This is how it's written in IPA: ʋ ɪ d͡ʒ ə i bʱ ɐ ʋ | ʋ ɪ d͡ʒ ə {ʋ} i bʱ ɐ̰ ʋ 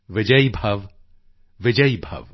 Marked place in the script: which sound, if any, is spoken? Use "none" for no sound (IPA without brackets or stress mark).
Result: none